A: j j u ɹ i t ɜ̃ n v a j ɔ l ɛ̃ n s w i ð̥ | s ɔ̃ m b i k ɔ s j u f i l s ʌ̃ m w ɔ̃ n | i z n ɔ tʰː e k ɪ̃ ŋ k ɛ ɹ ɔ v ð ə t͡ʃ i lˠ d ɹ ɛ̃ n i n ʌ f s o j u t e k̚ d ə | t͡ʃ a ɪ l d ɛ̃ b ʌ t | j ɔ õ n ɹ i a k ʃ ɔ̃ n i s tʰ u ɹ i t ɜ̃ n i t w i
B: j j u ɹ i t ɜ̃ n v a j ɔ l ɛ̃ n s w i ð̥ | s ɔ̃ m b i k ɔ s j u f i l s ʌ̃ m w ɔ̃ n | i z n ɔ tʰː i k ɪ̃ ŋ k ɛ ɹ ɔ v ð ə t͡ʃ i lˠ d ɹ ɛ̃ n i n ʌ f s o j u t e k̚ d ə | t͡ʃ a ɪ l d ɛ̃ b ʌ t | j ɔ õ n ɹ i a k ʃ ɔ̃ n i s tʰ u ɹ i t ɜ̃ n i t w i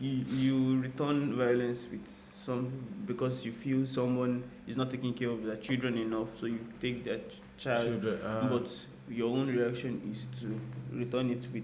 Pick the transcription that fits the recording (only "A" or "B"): A